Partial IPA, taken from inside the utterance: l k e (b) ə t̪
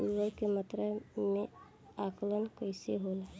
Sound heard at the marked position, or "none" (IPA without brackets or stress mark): m